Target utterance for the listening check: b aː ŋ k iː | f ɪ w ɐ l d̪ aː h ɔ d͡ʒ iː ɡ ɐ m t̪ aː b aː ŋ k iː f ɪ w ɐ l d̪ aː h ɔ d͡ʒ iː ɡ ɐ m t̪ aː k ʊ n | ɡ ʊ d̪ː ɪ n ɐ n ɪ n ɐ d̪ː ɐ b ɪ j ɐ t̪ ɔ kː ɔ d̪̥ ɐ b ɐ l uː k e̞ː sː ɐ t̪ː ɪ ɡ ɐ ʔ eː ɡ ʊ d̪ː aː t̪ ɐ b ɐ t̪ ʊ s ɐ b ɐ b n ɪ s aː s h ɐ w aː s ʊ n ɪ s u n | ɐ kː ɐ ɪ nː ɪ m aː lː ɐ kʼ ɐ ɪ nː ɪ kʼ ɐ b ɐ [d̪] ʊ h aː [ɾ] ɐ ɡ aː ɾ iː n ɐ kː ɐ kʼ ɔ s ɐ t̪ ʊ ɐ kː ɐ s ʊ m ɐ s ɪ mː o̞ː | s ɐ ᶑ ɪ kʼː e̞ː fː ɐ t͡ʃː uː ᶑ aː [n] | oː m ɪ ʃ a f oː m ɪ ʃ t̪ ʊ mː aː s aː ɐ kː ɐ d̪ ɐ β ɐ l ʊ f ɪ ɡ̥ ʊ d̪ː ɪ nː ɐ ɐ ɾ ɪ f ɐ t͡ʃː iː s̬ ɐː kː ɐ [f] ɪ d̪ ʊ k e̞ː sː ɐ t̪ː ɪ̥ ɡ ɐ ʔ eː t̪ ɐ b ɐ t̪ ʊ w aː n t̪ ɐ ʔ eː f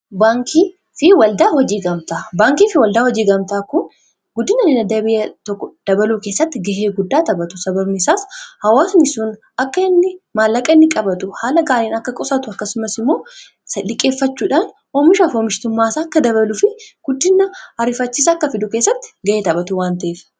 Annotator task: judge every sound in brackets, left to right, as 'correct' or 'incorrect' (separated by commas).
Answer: incorrect, incorrect, correct, correct